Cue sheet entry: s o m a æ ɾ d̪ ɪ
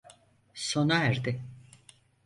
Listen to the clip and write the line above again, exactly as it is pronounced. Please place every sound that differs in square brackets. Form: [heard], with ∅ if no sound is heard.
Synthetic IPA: s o [n] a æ ɾ d̪ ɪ